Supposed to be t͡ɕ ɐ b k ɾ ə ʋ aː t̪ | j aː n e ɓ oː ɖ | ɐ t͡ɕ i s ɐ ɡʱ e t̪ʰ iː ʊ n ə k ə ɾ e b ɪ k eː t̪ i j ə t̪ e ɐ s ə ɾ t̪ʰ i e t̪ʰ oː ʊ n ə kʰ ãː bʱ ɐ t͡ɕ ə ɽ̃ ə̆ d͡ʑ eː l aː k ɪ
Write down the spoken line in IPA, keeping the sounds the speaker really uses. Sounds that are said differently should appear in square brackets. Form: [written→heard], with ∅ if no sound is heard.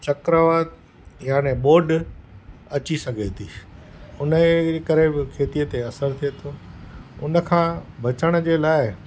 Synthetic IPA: t͡ɕ ɐ [b→∅] k ɾ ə ʋ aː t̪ | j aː n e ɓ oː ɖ | ɐ t͡ɕ i s ɐ ɡʱ e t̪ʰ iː ʊ n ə k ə ɾ e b ɪ [k→kʰ] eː t̪ i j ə t̪ e ɐ s ə ɾ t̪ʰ i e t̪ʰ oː ʊ n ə kʰ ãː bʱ ɐ t͡ɕ ə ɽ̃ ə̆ d͡ʑ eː l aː [k→∅] ɪ